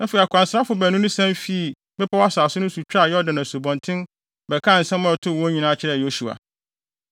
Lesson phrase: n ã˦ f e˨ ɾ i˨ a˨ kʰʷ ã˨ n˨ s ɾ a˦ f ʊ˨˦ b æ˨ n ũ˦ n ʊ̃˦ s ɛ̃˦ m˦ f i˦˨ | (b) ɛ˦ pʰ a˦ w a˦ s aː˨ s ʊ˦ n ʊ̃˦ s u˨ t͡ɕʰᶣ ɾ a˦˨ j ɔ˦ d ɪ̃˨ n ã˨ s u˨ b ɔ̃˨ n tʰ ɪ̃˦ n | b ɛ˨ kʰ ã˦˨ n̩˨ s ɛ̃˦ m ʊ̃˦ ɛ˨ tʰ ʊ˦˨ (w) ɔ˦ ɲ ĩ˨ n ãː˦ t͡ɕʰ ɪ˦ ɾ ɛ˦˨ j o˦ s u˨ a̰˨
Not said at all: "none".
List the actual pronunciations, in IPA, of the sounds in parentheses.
b, w

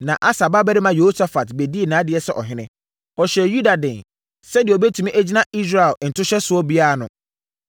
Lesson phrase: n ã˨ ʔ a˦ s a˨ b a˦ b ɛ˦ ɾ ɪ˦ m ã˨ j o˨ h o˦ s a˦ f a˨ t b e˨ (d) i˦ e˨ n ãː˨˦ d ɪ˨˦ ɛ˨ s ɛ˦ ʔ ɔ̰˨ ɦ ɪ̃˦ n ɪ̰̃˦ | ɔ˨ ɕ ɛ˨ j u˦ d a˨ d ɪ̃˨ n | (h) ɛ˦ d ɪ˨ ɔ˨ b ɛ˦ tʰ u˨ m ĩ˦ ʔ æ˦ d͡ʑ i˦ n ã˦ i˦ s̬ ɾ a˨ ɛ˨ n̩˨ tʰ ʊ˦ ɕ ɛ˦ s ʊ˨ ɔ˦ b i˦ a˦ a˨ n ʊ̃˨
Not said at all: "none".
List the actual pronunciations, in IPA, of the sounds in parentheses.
d, s

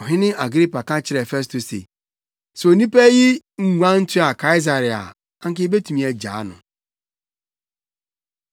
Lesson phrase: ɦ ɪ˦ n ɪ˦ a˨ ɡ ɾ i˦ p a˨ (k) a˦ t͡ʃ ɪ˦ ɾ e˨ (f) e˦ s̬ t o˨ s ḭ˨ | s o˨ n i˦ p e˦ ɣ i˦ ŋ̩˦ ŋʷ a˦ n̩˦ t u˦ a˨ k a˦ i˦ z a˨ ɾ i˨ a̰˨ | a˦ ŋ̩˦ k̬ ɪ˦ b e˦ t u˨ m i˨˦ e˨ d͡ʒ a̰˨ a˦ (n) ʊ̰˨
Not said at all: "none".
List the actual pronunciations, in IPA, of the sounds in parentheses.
k, f, n

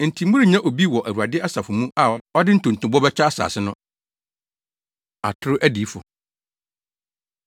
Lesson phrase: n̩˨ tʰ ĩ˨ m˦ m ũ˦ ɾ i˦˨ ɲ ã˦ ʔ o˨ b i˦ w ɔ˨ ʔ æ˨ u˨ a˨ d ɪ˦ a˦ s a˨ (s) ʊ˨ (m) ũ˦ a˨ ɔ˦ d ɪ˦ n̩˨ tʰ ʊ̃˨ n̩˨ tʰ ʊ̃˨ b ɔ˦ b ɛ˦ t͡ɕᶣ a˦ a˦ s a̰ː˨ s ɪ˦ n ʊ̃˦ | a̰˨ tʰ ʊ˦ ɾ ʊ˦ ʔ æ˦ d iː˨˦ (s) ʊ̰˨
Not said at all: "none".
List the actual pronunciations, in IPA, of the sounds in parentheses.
f, m, f

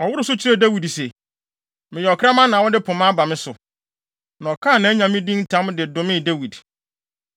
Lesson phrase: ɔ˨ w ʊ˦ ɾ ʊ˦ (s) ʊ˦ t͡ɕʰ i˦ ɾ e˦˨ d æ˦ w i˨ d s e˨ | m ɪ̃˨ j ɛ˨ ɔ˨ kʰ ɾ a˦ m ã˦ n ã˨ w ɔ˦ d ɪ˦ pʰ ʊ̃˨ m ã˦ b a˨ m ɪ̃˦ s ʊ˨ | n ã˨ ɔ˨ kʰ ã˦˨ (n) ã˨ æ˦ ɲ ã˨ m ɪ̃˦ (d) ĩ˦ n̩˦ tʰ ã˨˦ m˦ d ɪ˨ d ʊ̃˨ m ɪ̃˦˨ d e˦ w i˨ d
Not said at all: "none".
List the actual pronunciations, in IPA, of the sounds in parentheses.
s, n, d

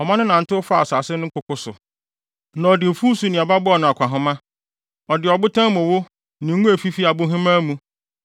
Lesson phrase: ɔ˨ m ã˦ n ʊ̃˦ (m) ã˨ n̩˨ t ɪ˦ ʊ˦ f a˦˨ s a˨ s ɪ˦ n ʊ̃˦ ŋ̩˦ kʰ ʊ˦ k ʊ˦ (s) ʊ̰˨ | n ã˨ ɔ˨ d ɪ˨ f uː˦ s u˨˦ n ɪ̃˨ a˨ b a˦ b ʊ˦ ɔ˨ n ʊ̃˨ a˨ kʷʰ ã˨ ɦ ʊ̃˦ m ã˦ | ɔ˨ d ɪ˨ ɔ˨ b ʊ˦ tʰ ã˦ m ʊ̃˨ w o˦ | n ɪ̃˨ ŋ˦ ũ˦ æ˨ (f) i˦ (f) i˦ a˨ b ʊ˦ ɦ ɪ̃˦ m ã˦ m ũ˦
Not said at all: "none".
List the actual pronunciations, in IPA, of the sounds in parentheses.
n, s, f, f

